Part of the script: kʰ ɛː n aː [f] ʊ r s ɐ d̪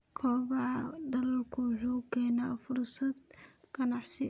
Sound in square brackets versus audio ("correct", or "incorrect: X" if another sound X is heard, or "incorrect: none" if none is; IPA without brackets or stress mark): correct